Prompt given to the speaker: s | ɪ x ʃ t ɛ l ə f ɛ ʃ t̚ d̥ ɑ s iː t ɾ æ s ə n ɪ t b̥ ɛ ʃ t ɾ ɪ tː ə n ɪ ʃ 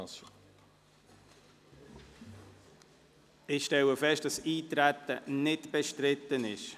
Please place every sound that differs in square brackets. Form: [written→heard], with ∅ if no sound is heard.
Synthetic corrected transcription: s | ɪ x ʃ t ɛ l ə f ɛ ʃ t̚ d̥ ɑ s iː t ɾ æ [s→t] ə n ɪ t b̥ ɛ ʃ t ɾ ɪ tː ə n ɪ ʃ